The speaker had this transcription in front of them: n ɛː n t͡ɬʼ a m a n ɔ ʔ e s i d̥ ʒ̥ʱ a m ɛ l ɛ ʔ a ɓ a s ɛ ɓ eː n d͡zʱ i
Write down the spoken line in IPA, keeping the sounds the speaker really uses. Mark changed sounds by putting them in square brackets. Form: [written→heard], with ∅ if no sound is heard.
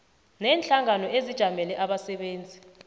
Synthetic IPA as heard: n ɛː n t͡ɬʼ a [m→ŋ] a n ɔ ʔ e [s→z] i d̥ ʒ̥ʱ a m ɛ l ɛ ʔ a ɓ a s ɛ ɓ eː n d͡zʱ i